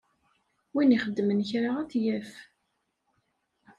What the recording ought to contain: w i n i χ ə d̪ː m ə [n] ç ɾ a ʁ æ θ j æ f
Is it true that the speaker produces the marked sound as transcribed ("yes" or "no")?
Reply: yes